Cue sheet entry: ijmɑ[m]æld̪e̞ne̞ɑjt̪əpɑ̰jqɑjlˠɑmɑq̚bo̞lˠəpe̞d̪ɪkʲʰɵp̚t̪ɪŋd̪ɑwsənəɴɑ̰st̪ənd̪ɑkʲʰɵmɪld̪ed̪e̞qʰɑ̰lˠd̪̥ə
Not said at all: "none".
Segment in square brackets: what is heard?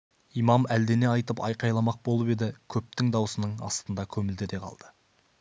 m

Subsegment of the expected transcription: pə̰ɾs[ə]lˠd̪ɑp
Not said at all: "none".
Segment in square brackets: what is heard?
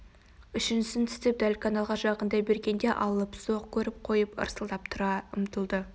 ə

